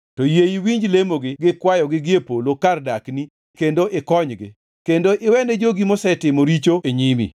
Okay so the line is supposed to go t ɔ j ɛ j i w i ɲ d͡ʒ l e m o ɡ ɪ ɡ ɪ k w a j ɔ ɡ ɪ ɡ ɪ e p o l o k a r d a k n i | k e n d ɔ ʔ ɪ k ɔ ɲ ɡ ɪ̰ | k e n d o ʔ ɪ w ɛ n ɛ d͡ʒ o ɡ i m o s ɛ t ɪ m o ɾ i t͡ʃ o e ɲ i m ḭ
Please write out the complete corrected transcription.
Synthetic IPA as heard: t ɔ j e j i w i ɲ d͡ʒ l e m o ɡ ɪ ɡ ɪ k w a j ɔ ɡ ɪ ɡ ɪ e p o l o k a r d a k n i | k e n d o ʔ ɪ k ɔ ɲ ɡ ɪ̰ | k e n d o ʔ ɪ w ɛ n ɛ d͡ʒ o ɡ i m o s ɛ t ɪ m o ɾ i t͡ʃ o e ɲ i m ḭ